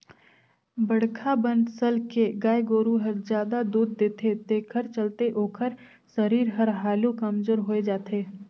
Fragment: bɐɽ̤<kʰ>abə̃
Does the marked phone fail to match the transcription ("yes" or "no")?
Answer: no